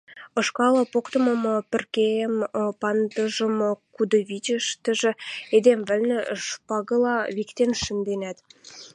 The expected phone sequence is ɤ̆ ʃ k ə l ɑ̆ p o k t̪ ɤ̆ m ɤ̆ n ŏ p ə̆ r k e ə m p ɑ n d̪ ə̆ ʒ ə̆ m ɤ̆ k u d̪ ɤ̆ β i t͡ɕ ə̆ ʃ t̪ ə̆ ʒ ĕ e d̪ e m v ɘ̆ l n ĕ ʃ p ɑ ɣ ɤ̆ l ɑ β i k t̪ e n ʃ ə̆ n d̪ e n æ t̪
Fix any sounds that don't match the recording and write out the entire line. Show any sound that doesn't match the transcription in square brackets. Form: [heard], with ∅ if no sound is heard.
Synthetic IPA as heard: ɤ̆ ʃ k [ɑ] l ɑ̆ p o k t̪ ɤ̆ m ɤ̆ [m] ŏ p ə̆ r k e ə m p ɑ n d̪ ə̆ ʒ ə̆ m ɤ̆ k u d̪ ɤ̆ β i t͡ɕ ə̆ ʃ t̪ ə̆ ʒ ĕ e d̪ e m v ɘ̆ l n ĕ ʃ p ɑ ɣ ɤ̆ l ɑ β i k t̪ e n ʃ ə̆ n d̪ e n æ t̪

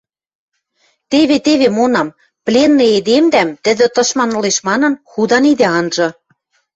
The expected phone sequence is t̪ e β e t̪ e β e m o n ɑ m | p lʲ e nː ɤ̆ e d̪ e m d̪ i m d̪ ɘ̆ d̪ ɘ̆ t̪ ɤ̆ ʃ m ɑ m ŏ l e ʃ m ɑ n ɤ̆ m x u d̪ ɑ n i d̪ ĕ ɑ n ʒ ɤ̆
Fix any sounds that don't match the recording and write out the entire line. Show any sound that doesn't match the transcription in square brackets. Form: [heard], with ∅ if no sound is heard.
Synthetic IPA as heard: t̪ e β e t̪ e β e m o n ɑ m | p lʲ e nː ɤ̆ e d̪ e m d̪ [æ] m [t̪] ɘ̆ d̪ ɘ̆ t̪ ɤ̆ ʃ m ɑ [n] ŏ l e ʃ m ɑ n ɤ̆ [n] x u d̪ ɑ n i d̪ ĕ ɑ n ʒ ɤ̆

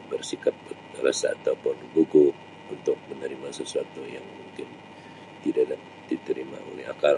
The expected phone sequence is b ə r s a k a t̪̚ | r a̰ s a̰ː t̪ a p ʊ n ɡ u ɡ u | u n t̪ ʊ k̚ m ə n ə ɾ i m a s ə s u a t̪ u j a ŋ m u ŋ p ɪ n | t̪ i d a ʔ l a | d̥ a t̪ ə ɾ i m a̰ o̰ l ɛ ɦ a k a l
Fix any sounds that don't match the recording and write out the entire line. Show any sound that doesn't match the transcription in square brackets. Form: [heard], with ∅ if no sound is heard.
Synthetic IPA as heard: b ə r s [i] k a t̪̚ | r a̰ s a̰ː t̪ a p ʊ n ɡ u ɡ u | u n t̪ ʊ k̚ m ə n ə ɾ i m a s ə s u a t̪ u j a ŋ m u ŋ [k] ɪ n | t̪ i d a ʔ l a | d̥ [i] t̪ ə ɾ i m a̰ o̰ l ɛ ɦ a k a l

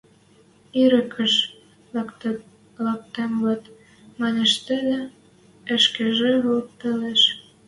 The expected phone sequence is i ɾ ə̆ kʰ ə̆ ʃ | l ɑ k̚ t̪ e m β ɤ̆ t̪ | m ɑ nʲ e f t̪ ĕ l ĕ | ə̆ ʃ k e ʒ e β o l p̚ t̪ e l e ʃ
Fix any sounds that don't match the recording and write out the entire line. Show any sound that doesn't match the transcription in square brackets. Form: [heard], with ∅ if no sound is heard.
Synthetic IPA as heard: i ɾ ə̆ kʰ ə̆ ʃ | l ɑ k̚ t̪ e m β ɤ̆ t̪ | m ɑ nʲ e [ʃ] t̪ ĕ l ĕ | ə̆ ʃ k e ʒ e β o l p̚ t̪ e l e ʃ

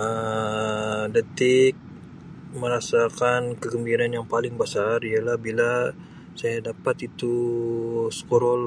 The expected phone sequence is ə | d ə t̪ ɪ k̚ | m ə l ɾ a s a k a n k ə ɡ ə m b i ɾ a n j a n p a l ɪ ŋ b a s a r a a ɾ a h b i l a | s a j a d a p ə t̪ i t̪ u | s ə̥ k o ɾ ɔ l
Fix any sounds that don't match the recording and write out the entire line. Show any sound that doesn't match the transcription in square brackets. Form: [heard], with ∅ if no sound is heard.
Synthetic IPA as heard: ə | d ə t̪ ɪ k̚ | m ə [∅] ɾ a s a k a n k ə ɡ ə m b i ɾ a n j a [ŋ] p a l ɪ ŋ b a s a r [i] a [l] a h b i l a | s a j a d a p [a] t̪ i t̪ u | s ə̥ k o ɾ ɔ l

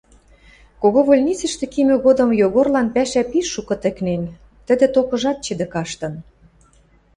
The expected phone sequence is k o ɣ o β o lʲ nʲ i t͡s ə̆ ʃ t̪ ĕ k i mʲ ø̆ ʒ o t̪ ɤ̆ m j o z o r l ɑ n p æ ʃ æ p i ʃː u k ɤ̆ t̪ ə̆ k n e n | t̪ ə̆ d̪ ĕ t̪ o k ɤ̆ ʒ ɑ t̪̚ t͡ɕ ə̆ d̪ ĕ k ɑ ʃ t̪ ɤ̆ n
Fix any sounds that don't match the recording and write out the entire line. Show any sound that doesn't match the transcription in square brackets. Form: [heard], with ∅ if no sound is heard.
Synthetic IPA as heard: k o ɣ o β o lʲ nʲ i t͡s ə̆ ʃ t̪ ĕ k i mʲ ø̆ [ɣ] o [d̪] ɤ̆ m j o [ɣ] o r l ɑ n p æ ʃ æ p i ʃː u k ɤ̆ t̪ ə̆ k n e n | t̪ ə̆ d̪ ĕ t̪ o k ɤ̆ ʒ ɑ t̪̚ t͡ɕ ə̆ d̪ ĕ k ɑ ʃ t̪ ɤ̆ n

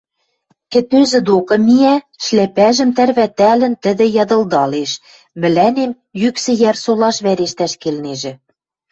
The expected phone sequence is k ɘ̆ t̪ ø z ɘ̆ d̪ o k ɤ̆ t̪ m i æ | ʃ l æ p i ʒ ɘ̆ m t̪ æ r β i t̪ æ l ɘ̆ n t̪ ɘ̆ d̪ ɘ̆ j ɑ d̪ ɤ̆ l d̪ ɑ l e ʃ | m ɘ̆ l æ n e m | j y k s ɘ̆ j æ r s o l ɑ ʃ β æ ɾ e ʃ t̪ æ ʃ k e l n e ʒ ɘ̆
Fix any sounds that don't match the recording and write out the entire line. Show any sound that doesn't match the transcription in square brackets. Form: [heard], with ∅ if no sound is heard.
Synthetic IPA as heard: k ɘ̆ t̪ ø z ɘ̆ d̪ o k ɤ̆ [∅] m i æ | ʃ l æ p [æ] ʒ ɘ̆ m t̪ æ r β [æ] t̪ æ l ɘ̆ n t̪ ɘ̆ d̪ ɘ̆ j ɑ d̪ ɤ̆ l d̪ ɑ l e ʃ | m ɘ̆ l æ n e m | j y k s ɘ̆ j æ r s o l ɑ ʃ β æ ɾ e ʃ t̪ æ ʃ k e l n e ʒ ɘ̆

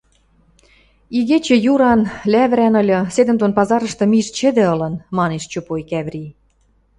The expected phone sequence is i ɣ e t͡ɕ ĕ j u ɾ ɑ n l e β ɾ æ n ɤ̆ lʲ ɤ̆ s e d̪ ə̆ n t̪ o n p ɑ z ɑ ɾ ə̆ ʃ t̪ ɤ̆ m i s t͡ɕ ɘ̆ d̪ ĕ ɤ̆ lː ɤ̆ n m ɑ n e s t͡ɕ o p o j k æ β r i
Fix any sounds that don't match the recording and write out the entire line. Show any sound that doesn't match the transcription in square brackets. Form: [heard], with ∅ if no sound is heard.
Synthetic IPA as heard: i ɣ e t͡ɕ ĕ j u ɾ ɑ n l [æ] β ɾ æ n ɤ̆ lʲ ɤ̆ s e d̪ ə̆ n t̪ o n p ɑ z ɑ ɾ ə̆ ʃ t̪ ɤ̆ m i [ʃ] t͡ɕ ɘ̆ d̪ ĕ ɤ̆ [l] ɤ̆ n m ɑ n e [ʃ] t͡ɕ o p o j k æ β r i

